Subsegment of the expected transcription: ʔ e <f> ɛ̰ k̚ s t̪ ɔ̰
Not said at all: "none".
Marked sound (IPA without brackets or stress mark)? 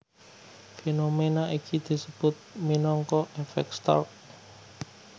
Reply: f